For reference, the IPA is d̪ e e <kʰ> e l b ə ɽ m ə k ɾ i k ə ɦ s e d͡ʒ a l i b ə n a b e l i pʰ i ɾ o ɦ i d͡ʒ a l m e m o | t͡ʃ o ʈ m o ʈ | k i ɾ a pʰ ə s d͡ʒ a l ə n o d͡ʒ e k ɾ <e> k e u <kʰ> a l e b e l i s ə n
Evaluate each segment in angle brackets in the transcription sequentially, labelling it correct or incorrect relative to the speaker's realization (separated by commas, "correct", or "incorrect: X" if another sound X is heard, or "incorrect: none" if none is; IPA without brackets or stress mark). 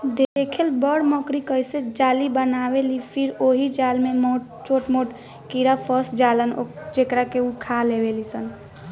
correct, incorrect: a, correct